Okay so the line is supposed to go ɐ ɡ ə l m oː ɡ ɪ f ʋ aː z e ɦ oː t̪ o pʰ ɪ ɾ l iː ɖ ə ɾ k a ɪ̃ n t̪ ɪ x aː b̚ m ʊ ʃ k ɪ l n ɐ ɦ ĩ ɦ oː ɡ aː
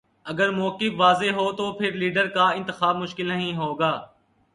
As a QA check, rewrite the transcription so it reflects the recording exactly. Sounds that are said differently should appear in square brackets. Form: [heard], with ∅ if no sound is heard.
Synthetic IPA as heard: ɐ ɡ ə [ɾ] m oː [k] ɪ f ʋ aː z e ɦ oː t̪ o pʰ ɪ ɾ l iː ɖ ə ɾ k a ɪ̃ n t̪ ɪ x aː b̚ m ʊ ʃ k ɪ l n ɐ ɦ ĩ ɦ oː ɡ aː